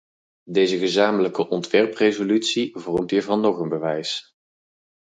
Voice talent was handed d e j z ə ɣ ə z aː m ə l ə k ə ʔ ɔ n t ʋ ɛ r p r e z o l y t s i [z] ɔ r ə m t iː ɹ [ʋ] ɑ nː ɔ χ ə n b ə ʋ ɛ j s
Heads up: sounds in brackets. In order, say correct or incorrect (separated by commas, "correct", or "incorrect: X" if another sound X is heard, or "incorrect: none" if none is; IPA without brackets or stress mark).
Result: incorrect: v, incorrect: v